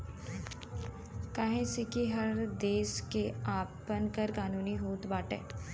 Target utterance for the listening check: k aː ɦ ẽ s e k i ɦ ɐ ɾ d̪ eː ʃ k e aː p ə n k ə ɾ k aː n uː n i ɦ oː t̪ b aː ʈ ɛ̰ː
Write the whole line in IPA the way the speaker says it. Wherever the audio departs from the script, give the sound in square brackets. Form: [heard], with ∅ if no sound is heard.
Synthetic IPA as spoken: k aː ɦ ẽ s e k i ɦ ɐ ɾ d̪ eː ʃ k e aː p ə n k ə ɾ k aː n uː n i ɦ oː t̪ b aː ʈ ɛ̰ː